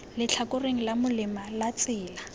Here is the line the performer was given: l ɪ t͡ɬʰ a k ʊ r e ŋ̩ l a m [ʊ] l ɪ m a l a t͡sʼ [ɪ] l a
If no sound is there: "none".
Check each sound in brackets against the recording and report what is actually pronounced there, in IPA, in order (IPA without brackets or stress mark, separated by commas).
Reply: ʊ, ɪː